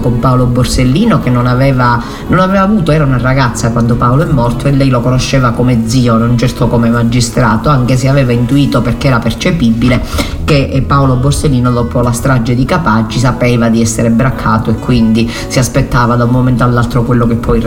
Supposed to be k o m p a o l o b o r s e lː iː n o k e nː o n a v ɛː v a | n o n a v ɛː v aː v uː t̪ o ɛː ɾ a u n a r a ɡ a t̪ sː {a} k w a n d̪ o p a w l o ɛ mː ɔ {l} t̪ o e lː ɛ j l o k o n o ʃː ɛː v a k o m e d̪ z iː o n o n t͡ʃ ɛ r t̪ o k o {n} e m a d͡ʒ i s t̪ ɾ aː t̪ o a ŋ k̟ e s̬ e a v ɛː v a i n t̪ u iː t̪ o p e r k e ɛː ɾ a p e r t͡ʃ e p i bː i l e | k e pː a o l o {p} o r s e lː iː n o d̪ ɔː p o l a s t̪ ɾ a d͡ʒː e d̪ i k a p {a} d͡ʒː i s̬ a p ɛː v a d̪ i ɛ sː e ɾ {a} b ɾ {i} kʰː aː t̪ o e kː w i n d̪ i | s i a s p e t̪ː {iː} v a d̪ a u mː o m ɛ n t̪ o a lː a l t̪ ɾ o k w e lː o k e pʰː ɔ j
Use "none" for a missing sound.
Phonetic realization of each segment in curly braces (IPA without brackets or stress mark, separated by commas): a, r, m, b, a, e, a, aː